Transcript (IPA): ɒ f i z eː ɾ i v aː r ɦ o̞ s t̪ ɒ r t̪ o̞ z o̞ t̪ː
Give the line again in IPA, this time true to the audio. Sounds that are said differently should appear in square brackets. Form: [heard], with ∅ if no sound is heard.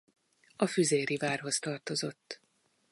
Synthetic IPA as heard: ɒ f [y] z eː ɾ i v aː r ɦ o̞ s t̪ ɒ r t̪ o̞ z o̞ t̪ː